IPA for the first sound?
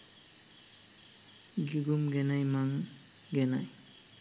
ɡ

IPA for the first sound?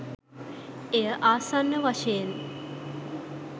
e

